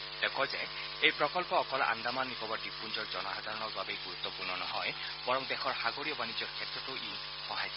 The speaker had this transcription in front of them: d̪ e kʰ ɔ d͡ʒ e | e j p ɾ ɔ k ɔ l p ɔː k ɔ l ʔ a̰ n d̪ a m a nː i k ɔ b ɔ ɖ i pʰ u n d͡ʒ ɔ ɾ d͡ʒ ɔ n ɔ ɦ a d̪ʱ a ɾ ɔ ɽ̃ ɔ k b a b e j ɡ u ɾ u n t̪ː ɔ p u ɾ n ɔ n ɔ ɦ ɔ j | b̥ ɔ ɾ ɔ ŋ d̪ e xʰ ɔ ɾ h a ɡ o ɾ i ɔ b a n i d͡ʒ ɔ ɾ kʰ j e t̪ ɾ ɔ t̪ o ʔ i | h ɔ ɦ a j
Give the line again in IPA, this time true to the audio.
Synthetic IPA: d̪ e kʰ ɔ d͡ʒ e | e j p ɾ ɔ k ɔ l p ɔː k ɔ l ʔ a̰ n d̪ a m a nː i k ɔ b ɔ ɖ i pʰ u n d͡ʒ ɔ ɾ d͡ʒ ɔ n ɔ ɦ a d̪ʱ a ɾ ɔ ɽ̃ ɔ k b a b e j ɡ u ɾ u t̪ː ɔ p u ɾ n ɔ n ɔ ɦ ɔ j | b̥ ɔ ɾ ɔ ŋ d̪ e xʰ ɔ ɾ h a ɡ o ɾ i ɔ b a n i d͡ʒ ɔ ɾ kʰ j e t̪ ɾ ɔ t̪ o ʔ i | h ɔ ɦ a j